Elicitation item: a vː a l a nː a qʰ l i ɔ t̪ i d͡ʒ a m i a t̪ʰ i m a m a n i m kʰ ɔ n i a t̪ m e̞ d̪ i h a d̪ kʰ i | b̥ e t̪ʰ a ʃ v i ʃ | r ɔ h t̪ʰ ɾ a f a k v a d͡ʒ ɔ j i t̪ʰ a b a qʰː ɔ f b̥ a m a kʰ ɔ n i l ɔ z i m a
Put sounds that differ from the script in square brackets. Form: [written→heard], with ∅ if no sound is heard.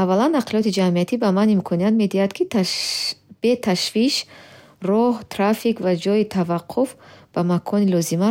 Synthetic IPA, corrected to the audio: a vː a l a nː a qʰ l i ɔ t̪ i d͡ʒ a m i a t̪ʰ i [m→b] a m a n i m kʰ ɔ n i a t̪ m e̞ d̪ i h a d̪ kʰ i | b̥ e t̪ʰ a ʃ v i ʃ | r ɔ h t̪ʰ ɾ a f [a→i] k v a d͡ʒ ɔ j i t̪ʰ a [b→v] a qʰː [ɔ→u] f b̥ a m a kʰ ɔ n i l ɔ z i m a